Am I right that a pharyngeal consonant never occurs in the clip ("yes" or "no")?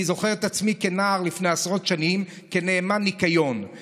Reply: yes